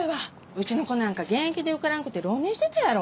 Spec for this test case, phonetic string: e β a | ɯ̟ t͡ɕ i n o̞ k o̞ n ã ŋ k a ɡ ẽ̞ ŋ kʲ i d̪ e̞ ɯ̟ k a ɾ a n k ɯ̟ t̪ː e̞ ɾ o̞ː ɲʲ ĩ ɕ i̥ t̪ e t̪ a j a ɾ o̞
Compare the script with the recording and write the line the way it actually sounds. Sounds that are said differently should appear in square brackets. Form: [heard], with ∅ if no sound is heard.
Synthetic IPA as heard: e β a | ɯ̟ t͡ɕ i n o̞ k o̞ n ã ŋ k a ɡ ẽ̞ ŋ kʲ i d̪ e̞ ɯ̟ k a ɾ a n k ɯ̟ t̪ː e̞ ɾ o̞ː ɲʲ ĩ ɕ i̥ t̪ e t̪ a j a ɾ o̞